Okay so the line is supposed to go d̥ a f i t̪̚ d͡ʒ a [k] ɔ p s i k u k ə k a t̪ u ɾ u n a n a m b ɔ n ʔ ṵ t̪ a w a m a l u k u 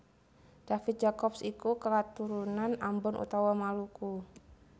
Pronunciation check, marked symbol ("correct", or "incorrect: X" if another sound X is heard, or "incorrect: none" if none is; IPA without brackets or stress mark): correct